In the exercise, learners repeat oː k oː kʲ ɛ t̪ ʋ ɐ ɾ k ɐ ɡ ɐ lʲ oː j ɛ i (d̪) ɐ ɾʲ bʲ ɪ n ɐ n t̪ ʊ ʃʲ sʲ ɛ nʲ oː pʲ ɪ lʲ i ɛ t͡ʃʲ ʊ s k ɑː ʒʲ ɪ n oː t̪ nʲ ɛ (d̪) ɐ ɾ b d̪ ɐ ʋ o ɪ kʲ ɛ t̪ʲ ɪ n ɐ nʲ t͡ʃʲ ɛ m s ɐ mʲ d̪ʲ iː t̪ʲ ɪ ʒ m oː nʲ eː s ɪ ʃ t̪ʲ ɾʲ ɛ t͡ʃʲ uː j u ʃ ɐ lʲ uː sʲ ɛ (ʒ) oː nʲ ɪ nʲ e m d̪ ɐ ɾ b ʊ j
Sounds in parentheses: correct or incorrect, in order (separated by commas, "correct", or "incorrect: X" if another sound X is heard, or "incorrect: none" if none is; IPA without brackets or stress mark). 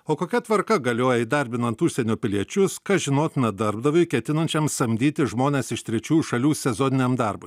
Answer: correct, correct, incorrect: z